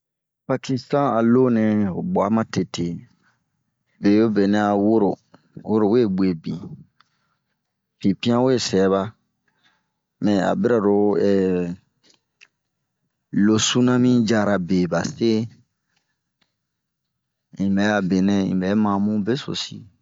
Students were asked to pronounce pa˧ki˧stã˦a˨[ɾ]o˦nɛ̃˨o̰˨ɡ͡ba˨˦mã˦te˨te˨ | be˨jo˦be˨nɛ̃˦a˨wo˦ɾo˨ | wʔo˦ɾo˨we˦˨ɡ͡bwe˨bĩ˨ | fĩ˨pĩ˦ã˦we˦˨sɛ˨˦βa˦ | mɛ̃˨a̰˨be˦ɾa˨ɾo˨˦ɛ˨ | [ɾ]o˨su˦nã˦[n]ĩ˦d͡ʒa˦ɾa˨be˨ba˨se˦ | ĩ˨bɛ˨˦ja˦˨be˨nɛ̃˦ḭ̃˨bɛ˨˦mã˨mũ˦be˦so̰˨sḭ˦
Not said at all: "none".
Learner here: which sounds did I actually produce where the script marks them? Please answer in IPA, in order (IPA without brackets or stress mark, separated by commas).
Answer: l, l, m